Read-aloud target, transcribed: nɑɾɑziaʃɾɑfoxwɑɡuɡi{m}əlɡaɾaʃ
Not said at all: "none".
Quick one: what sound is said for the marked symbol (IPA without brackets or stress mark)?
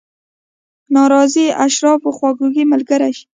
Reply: m